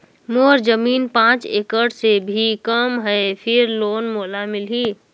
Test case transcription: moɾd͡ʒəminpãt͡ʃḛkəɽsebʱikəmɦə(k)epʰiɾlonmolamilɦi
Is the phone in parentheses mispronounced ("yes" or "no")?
yes